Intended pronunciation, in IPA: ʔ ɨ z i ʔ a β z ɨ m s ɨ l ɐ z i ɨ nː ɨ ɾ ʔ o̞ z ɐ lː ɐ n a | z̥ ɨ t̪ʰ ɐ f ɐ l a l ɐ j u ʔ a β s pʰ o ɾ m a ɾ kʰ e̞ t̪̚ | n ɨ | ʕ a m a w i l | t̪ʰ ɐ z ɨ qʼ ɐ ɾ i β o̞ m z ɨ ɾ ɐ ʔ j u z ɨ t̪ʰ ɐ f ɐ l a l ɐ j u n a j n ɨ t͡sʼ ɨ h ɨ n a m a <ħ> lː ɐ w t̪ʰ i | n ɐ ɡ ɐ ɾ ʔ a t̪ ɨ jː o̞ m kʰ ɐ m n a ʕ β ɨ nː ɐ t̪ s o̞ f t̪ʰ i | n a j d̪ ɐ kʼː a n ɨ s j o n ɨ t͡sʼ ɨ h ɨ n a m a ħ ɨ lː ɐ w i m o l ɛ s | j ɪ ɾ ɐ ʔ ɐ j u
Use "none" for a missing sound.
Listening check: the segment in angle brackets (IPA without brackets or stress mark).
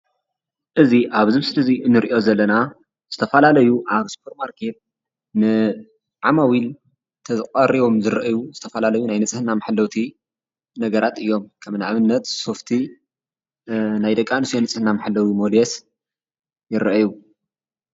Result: ħ